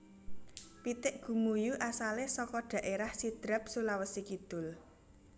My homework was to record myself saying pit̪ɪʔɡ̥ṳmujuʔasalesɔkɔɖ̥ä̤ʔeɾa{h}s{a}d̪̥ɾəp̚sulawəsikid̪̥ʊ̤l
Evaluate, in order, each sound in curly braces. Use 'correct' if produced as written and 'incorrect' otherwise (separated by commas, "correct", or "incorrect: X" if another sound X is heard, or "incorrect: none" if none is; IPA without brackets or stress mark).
correct, incorrect: i